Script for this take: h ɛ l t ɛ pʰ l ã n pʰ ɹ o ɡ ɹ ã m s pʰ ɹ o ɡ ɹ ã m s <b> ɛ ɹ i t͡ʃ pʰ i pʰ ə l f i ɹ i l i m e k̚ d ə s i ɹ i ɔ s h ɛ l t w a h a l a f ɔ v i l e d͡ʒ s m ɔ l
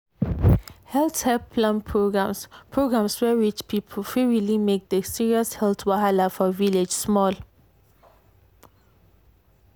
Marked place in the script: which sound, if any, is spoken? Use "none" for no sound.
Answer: w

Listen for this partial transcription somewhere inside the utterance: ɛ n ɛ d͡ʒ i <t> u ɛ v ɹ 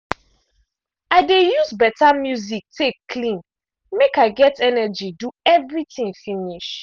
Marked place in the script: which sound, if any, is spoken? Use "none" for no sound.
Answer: d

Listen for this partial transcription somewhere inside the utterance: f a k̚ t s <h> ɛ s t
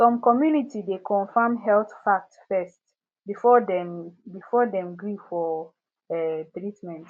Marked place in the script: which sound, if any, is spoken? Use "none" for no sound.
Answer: f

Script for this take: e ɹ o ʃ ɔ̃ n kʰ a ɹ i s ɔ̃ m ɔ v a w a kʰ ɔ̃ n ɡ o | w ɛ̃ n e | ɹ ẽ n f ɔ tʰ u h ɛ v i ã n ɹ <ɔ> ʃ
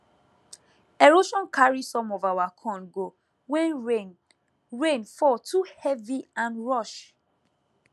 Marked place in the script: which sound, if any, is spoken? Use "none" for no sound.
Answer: ɔ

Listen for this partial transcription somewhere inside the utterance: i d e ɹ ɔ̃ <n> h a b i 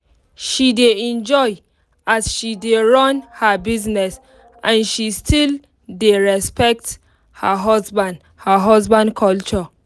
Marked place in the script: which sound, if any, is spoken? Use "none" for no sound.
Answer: n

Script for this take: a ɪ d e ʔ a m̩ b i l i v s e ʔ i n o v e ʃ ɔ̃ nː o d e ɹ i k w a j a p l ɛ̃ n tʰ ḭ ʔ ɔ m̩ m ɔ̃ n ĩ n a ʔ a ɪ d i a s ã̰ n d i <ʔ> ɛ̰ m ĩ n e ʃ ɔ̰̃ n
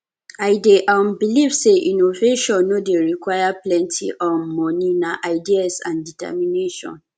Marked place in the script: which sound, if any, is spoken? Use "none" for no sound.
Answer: t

